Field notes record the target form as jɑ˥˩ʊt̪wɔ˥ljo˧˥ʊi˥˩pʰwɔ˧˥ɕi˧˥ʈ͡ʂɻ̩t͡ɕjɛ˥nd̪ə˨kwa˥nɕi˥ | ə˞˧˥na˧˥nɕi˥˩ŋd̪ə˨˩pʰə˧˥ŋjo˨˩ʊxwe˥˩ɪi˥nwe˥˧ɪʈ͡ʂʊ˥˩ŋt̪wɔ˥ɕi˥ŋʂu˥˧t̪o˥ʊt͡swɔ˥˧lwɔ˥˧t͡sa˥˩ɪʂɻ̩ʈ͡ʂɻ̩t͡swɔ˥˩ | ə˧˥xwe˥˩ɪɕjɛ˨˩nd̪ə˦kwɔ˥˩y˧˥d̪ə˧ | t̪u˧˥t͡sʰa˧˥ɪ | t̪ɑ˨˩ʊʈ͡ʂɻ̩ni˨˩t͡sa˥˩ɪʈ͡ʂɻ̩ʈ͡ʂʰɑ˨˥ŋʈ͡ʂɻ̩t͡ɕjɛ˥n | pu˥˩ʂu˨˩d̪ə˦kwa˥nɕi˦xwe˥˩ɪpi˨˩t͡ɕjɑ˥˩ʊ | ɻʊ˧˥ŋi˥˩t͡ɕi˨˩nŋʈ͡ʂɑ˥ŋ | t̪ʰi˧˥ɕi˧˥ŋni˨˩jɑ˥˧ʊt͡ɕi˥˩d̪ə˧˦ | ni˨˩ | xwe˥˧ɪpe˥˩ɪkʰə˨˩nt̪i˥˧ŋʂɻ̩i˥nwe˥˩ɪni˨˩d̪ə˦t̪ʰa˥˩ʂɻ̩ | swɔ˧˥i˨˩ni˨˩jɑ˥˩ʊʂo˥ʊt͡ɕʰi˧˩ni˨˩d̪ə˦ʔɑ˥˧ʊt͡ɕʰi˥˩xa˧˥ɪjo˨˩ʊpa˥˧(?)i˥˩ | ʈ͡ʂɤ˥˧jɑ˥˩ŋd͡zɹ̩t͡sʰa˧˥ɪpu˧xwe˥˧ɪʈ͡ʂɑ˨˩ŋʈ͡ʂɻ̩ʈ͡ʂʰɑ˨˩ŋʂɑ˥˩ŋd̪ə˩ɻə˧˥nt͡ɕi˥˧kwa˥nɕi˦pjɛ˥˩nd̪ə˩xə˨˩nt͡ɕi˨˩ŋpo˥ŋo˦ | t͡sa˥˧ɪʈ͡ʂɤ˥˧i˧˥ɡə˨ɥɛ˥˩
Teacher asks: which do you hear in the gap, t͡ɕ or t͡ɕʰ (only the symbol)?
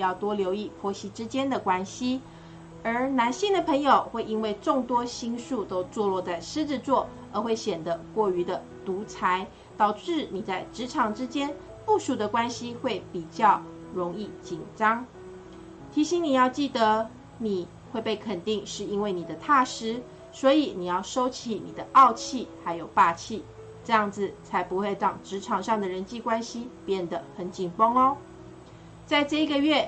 t͡ɕʰ